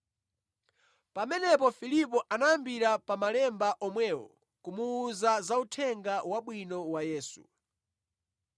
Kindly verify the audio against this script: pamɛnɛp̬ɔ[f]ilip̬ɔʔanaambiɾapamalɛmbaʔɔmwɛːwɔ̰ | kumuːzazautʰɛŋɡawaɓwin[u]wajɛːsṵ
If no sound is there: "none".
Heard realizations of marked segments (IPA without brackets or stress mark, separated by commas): f, ɔ